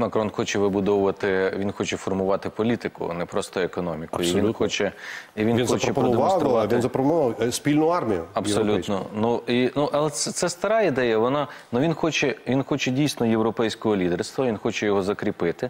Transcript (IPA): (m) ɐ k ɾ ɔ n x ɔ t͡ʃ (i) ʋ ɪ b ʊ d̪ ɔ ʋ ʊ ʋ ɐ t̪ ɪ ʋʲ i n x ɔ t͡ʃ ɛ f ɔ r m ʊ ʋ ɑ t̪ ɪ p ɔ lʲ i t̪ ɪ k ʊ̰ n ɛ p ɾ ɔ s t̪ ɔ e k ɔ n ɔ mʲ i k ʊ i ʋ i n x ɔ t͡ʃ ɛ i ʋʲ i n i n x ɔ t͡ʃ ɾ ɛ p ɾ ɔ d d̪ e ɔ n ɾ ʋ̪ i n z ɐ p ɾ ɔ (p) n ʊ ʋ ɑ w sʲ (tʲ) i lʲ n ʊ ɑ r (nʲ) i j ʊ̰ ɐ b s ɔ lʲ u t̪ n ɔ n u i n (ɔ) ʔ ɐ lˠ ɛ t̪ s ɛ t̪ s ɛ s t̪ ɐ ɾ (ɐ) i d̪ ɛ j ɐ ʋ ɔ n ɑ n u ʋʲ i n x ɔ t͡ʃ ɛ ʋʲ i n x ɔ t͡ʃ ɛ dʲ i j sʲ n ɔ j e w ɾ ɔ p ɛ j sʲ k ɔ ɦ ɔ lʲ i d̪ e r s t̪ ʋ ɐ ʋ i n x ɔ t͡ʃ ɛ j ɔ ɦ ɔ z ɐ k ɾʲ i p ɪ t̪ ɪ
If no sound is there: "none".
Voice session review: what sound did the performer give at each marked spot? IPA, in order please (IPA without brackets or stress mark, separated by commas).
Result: m, ɛ, p, pʲ, mʲ, u, ɑ